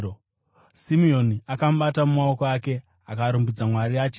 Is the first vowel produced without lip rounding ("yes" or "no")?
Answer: yes